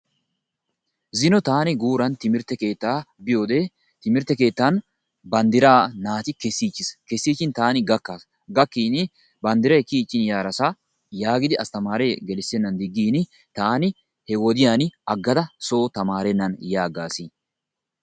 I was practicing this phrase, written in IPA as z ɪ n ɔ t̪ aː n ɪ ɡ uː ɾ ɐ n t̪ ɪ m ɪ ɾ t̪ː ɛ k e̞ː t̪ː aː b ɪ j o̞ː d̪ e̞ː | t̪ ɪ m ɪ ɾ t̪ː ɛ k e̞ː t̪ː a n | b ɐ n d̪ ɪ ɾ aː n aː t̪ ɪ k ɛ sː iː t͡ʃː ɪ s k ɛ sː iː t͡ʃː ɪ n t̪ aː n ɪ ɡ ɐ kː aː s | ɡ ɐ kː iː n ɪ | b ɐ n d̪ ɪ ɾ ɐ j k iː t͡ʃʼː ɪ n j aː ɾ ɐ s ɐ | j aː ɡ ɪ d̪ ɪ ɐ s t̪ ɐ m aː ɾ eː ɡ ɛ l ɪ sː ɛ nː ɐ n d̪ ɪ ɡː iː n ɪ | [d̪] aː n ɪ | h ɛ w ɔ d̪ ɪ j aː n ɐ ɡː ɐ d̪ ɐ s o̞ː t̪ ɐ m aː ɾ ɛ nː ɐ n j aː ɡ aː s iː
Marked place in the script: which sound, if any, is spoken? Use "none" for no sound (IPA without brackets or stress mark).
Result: t̪